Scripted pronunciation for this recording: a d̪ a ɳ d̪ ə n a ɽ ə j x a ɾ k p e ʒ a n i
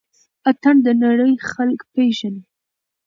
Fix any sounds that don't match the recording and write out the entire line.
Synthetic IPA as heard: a t̪ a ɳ d̪ ə n a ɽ ə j x a l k p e ʒ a n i